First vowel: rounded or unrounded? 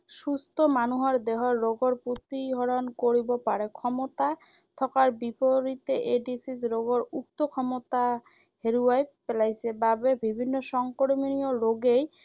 rounded